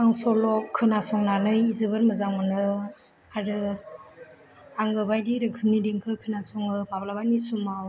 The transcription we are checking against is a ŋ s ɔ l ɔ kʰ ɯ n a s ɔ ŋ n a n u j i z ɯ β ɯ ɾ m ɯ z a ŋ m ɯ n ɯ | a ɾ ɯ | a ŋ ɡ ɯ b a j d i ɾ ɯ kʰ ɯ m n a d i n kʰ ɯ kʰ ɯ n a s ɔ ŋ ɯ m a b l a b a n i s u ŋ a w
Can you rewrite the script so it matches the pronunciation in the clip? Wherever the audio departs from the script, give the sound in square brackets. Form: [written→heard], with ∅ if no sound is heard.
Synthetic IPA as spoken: a ŋ s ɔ l ɔ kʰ ɯ n a s ɔ ŋ n a n [u→ɯ] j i z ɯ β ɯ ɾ m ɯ z a ŋ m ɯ n ɯ | a ɾ ɯ | a ŋ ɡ ɯ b a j d i ɾ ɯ kʰ ɯ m n [a→i] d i [n→ŋ] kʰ ɯ kʰ ɯ n a s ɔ ŋ ɯ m a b l a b a n i s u [ŋ→m] a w